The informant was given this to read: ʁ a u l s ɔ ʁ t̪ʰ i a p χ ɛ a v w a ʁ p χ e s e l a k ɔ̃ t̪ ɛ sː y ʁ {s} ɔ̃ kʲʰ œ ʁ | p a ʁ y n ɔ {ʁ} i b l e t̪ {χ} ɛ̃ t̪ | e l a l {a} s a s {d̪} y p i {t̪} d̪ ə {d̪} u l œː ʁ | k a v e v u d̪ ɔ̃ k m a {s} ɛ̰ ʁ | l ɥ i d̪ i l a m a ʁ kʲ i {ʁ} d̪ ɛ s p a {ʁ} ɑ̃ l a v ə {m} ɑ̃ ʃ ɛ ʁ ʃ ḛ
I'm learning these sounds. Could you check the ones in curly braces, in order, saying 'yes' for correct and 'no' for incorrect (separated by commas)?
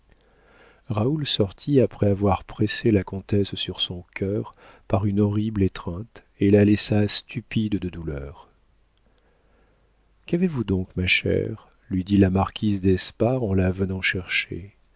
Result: yes, yes, yes, no, no, no, yes, no, no, yes, no